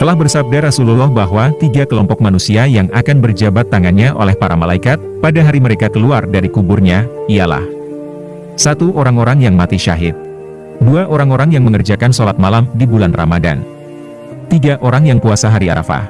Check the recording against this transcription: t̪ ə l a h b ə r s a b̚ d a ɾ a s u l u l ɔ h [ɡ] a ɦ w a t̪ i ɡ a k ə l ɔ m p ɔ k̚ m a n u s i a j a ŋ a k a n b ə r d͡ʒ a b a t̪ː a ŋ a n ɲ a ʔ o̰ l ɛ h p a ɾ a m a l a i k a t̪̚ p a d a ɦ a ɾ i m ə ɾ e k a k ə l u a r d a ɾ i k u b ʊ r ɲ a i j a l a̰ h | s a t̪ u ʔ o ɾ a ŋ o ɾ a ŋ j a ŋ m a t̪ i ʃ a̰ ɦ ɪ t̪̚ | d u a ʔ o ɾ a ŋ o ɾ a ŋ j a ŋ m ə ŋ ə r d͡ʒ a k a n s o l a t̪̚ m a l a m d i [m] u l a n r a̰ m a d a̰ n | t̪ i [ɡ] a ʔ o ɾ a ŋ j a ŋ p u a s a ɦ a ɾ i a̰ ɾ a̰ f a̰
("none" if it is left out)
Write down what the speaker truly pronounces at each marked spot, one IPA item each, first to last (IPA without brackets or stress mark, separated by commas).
b, b, ɡ